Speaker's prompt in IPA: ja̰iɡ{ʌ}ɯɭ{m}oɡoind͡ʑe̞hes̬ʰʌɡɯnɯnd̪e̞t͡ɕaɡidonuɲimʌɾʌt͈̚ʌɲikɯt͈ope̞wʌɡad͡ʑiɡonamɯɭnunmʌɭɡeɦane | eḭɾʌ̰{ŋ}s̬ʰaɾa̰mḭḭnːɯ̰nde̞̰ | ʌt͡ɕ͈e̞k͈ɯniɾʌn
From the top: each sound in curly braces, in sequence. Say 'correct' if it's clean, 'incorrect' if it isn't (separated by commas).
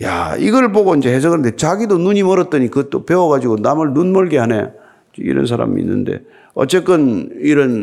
correct, incorrect, incorrect